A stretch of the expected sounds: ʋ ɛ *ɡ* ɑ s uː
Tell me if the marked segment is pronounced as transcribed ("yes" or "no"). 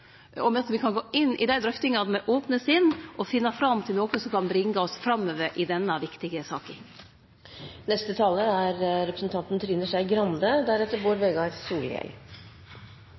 yes